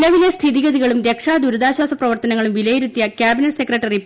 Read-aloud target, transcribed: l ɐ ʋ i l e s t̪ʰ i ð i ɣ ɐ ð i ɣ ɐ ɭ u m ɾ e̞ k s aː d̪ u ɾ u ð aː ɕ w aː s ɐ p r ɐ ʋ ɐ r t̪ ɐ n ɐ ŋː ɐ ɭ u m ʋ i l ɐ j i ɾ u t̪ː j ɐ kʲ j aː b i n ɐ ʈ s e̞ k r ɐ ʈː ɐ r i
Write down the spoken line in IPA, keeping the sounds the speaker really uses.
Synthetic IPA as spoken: l ɐ ʋ i l e s t̪ʰ i ð i ɣ ɐ ð i ɣ ɐ ɭ u m ɾ e̞ k ʂ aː d̪ u ɾ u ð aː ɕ w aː s ɐ p r ɐ ʋ ɐ r t̪ ɐ n ɐ ŋː ɐ ɭ u m ʋ i l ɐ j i ɾ u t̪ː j ɐ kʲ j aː b i n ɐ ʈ s e̞ k r ɐ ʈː ɐ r i